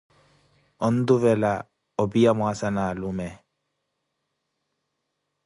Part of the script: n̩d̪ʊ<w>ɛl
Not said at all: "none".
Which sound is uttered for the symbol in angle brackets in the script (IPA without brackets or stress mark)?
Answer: v